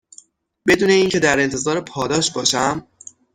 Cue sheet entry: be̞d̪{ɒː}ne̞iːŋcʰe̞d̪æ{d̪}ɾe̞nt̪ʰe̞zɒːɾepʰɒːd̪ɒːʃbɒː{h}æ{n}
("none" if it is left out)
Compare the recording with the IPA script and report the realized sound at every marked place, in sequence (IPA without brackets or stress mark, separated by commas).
uː, none, ʃ, m